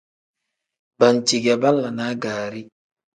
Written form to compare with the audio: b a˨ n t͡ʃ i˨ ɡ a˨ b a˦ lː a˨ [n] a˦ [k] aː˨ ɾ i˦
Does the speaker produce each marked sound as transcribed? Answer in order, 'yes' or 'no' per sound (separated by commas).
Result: yes, no